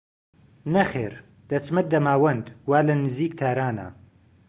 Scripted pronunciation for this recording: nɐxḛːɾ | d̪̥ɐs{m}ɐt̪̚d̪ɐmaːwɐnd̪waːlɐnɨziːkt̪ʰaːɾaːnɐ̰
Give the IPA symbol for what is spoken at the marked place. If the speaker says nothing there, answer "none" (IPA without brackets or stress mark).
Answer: m